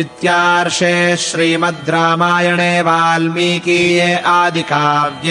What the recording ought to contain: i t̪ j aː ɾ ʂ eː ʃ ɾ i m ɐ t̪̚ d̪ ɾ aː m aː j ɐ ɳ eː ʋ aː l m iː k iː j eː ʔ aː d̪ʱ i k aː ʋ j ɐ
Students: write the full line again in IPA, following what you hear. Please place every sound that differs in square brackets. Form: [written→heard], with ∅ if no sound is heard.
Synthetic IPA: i t̪ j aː ɾ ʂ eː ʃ ɾ [i→iː] m ɐ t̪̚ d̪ ɾ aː m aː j ɐ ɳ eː ʋ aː l m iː k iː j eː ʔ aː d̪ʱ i k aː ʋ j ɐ